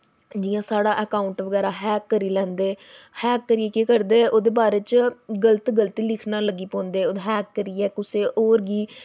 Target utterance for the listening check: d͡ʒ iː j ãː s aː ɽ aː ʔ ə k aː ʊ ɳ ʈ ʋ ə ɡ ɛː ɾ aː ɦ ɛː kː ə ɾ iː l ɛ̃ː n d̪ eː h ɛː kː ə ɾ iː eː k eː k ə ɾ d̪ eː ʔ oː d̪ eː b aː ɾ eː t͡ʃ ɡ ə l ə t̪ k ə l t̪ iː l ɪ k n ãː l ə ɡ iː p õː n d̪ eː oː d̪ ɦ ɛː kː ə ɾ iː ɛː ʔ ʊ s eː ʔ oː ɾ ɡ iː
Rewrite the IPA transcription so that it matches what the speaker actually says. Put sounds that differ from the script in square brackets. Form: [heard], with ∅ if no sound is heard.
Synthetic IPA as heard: d͡ʒ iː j ãː s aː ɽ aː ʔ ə k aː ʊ ɳ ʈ ʋ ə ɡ ɛː ɾ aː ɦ ɛː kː ə ɾ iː l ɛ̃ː n d̪ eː h ɛː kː ə ɾ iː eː k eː k ə ɾ d̪ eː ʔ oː d̪ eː b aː ɾ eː t͡ʃ ɡ ə l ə t̪ [ɡ] ə l t̪ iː l ɪ [kʰ] n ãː l ə ɡ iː p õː n d̪ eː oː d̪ ɦ ɛː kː ə ɾ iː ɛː [k] ʊ s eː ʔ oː ɾ ɡ iː